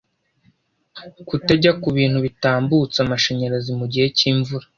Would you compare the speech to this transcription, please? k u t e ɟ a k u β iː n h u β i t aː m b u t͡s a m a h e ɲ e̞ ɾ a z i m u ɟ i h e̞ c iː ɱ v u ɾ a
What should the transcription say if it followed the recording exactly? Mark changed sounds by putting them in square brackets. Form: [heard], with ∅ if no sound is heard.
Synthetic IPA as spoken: k u t e ɟ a k u β iː n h u β i t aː m b u t͡s a m a [ʃ] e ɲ e̞ ɾ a z i m u ɟ i h e̞ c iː ɱ v u ɾ a